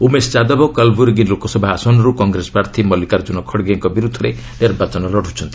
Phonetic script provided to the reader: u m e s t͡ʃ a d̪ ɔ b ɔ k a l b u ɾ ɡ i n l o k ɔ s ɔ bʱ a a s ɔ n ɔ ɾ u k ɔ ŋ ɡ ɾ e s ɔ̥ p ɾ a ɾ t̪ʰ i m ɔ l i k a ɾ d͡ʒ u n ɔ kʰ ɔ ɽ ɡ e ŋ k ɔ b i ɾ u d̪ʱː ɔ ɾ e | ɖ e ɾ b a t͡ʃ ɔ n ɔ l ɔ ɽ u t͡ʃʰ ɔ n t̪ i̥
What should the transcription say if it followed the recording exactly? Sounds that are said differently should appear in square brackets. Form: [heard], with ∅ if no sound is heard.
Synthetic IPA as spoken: u m e s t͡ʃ a d̪ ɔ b ɔ k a l b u ɾ ɡ i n l o k ɔ s ɔ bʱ a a s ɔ n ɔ ɾ u k ɔ ŋ ɡ ɾ e s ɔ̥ p ɾ a ɾ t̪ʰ i m ɔ l i k a ɾ d͡ʒ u n ɔ kʰ ɔ ɽ ɡ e ŋ k ɔ b i ɾ u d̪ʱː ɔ ɾ e | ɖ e ɾ b a t͡ʃ ɔ n ɔ l ɔ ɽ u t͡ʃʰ ɔ n t̪ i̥

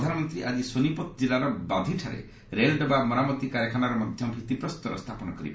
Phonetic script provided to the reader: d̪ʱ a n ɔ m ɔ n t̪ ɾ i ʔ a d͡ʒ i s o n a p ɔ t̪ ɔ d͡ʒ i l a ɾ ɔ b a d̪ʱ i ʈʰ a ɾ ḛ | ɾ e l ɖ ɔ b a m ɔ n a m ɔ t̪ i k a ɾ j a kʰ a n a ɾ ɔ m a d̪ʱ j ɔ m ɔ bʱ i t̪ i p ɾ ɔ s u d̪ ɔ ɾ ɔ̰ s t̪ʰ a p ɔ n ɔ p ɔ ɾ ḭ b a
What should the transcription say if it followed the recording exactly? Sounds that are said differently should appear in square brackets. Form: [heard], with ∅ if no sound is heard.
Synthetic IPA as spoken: d̪ʱ a n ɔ m ɔ n t̪ ɾ i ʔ a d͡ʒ i s o n [i] p ɔ t̪ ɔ d͡ʒ i l a ɾ ɔ b a d̪ʱ i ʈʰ a ɾ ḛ | ɾ e l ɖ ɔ b a m ɔ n a m ɔ t̪ i k a ɾ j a kʰ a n a ɾ ɔ m a d̪ʱ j ɔ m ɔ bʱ i t̪ i p ɾ ɔ s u [t̪] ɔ ɾ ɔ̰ s t̪ʰ a p ɔ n ɔ [k] ɔ ɾ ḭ b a

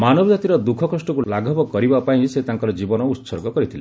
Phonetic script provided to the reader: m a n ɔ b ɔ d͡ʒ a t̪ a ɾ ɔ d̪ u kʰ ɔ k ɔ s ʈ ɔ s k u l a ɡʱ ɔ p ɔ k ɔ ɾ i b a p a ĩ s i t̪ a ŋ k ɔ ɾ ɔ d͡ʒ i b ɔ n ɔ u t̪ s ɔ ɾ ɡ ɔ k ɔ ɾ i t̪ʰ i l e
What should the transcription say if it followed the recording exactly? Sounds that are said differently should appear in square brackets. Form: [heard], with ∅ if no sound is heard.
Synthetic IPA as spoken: m a n ɔ b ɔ d͡ʒ a t̪ [i] ɾ ɔ d̪ u kʰ ɔ k ɔ s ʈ ɔ [∅] k u l a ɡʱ ɔ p ɔ k ɔ ɾ i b a p a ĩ s [e] t̪ a ŋ k ɔ ɾ ɔ d͡ʒ i b ɔ n ɔ u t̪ s ɔ ɾ ɡ ɔ k ɔ ɾ i t̪ʰ i l e

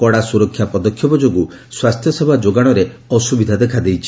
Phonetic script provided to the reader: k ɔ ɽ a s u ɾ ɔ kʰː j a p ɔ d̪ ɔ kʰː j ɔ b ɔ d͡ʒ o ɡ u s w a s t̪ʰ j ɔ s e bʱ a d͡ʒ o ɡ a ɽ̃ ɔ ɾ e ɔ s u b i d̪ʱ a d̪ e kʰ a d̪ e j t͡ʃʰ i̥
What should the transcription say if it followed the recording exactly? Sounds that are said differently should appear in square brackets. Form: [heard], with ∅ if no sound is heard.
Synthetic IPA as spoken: k ɔ ɽ a s u ɾ ɔ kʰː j a p ɔ d̪ ɔ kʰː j ɔ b ɔ d͡ʒ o ɡ u s w a s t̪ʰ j ɔ s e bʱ a d͡ʒ o ɡ a ɽ̃ ɔ ɾ e ɔ s u b i d̪ʱ a d̪ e kʰ a d̪ e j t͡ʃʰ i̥

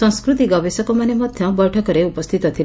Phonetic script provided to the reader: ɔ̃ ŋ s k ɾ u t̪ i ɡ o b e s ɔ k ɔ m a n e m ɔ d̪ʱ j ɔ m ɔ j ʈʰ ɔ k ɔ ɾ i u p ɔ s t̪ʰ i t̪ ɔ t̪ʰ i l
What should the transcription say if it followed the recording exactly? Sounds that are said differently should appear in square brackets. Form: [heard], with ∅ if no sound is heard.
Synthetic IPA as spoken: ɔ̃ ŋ s k ɾ u t̪ i ɡ [ɔ] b e s ɔ k ɔ m a n e m ɔ d̪ʱ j ɔ [b] ɔ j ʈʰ ɔ k ɔ ɾ [e] u p ɔ s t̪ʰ i t̪ ɔ t̪ʰ i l

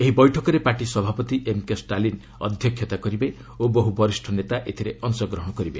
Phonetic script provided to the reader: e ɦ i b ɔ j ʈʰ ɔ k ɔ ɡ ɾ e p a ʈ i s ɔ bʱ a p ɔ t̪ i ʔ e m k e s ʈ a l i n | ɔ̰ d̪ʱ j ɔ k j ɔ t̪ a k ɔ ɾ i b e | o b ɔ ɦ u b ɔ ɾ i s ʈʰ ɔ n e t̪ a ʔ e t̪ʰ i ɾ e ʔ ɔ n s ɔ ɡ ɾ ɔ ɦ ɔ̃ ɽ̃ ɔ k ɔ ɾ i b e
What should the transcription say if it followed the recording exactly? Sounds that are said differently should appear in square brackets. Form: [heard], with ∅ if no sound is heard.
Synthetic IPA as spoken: e ɦ i b ɔ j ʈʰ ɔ k ɔ [∅] ɾ e p a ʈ i s ɔ bʱ a p ɔ t̪ i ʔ e m k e s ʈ a l i n | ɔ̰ d̪ʱ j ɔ [kʰ] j ɔ t̪ a k ɔ ɾ i b e | o b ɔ ɦ u b ɔ ɾ i s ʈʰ ɔ n e t̪ a ʔ e t̪ʰ i ɾ e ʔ ɔ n s ɔ ɡ ɾ ɔ ɦ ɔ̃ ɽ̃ ɔ k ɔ ɾ i b e

